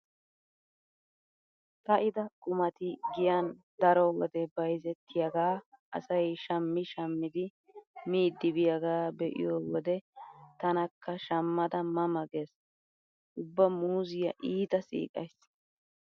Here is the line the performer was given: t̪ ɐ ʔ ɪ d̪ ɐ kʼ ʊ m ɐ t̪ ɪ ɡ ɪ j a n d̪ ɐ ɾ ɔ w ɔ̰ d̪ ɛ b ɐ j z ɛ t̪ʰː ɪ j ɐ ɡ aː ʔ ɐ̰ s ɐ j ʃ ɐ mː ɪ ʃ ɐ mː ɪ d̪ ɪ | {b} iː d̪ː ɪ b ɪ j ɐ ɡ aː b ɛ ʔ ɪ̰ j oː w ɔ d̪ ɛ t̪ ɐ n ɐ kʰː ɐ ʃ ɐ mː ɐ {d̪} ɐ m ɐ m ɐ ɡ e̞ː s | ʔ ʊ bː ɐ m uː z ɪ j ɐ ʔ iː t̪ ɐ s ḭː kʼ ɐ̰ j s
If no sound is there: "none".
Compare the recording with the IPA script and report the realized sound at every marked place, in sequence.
m, d̪

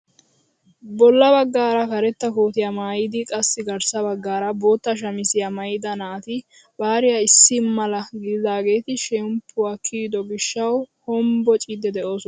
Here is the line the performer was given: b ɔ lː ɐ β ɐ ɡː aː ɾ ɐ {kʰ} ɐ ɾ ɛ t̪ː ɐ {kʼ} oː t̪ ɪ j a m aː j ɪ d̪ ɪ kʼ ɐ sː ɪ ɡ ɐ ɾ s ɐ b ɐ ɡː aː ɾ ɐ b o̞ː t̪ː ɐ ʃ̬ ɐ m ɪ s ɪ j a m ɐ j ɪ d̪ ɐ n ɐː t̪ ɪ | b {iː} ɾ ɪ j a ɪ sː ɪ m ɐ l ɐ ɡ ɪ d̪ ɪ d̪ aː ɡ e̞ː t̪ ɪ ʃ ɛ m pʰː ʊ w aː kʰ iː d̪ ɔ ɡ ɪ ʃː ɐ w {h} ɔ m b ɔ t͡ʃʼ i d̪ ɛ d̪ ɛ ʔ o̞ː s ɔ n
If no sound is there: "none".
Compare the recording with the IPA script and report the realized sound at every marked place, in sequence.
k, k, aː, h

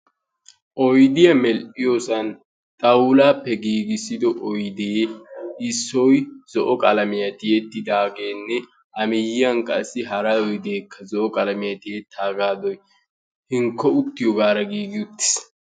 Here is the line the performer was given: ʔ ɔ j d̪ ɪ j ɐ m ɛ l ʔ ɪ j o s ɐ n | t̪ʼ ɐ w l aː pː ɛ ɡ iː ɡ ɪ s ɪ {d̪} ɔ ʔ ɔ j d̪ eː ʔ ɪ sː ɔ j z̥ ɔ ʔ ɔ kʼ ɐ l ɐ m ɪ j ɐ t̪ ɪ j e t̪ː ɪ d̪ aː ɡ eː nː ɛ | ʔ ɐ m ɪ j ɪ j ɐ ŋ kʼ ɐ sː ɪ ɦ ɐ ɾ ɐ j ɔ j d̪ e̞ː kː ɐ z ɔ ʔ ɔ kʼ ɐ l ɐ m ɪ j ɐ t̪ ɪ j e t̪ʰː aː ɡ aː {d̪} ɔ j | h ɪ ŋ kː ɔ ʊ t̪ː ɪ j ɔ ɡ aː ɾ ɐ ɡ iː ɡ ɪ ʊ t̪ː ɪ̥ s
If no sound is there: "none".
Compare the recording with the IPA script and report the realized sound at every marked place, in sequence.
d̪, d̪

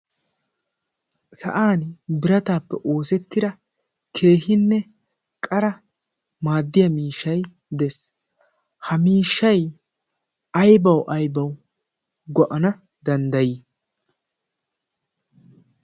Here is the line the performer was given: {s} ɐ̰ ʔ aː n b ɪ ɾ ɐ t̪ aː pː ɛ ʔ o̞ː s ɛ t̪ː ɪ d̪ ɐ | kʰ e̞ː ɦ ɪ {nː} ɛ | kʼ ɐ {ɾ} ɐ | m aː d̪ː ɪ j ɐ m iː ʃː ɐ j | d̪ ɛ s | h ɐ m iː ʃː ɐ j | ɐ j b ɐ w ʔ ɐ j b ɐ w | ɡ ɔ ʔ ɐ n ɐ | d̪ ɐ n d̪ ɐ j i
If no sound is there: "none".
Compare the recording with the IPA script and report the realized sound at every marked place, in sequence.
s, nː, ɾ

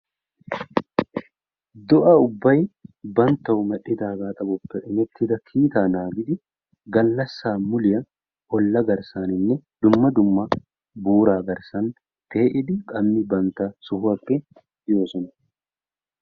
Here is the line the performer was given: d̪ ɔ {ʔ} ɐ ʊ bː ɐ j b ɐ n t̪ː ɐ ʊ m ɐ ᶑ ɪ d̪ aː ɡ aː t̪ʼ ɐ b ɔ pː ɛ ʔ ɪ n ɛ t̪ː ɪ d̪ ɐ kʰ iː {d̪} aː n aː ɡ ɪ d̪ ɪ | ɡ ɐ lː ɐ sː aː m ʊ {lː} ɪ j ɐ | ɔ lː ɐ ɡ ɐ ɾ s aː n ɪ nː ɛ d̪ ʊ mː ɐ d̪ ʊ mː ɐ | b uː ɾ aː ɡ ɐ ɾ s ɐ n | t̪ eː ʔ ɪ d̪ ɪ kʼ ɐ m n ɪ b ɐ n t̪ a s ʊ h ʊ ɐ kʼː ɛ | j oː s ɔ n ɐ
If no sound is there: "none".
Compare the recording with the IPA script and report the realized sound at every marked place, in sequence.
ʔ, t̪, l

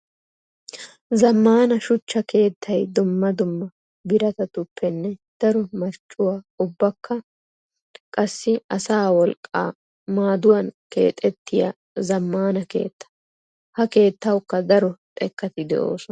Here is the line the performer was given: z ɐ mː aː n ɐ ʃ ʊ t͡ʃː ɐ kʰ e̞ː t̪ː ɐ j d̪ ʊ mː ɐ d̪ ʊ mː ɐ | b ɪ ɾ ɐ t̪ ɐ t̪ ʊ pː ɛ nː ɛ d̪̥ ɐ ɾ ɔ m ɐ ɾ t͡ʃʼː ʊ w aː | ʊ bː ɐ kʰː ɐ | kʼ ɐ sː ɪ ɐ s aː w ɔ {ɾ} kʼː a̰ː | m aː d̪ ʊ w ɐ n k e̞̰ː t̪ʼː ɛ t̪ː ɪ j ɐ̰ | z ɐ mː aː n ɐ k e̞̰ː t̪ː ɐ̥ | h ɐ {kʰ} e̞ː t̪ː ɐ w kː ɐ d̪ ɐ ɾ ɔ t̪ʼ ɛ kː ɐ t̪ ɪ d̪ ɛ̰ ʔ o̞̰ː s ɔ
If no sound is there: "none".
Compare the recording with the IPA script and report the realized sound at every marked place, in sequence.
l, k

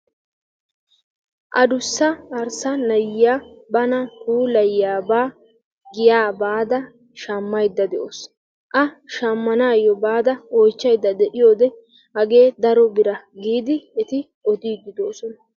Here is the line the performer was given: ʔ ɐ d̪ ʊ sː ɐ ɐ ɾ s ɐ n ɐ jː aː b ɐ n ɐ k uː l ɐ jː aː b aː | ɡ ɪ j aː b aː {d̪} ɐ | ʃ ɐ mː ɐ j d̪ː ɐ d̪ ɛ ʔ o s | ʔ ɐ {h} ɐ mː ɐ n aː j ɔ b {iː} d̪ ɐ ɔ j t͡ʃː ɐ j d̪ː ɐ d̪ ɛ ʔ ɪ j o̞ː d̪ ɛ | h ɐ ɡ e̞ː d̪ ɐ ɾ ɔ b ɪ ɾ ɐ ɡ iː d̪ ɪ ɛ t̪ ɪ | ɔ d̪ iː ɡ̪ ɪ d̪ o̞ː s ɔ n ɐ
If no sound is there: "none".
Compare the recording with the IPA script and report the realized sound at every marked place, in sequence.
d̪, ʃ, aː

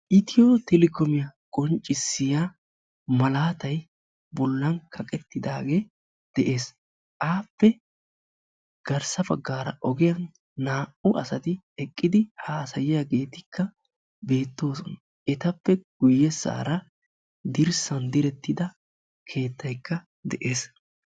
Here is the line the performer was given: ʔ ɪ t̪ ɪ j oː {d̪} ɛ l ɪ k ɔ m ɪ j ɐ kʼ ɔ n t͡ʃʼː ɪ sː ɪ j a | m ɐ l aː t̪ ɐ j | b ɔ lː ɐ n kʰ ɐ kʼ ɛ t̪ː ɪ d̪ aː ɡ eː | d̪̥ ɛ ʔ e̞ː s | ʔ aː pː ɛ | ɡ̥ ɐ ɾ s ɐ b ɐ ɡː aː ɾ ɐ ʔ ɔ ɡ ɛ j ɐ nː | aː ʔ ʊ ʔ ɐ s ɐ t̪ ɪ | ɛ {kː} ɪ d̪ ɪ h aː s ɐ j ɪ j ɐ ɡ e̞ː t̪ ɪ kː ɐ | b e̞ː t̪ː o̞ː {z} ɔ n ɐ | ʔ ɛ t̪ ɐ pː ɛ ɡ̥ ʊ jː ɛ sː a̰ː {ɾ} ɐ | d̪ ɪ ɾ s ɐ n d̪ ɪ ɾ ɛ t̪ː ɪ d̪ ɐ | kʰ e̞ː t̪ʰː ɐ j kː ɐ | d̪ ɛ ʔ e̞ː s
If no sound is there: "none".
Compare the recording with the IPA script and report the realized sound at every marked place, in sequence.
t̪, kʼː, s, ɾ

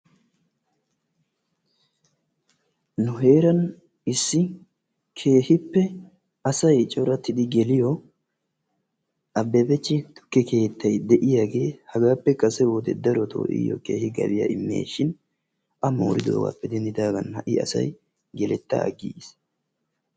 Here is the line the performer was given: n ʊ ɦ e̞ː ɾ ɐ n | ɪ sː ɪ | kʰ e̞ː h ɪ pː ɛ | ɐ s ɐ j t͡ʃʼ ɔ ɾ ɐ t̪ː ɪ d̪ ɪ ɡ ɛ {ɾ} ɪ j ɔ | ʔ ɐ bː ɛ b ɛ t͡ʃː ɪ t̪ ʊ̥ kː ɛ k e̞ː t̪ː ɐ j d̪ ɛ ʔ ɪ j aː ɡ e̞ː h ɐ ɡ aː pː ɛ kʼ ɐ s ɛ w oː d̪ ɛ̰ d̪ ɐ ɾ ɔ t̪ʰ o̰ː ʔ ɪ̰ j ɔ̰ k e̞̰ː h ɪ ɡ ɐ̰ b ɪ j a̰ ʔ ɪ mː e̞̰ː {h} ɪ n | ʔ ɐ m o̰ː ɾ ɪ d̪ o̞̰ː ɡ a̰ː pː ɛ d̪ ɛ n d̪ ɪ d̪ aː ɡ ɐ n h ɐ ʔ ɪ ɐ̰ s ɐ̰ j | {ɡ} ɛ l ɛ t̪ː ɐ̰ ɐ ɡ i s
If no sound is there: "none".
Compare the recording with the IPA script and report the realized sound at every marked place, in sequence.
l, ʃ, ɡ

